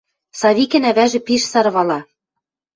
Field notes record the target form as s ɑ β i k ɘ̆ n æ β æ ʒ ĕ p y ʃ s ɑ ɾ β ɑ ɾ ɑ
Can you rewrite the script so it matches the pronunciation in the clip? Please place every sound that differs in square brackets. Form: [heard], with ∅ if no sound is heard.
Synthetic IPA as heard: s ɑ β i k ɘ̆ n æ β æ ʒ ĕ p [i] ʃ s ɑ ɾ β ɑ [l] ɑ